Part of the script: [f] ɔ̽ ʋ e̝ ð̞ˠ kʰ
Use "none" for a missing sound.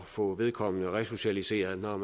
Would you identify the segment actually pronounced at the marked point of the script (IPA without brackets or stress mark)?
f